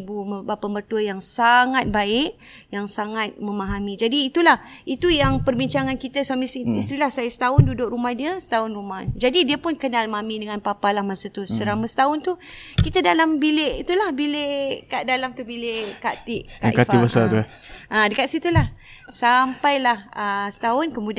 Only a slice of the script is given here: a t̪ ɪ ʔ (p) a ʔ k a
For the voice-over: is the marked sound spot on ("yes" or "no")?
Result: no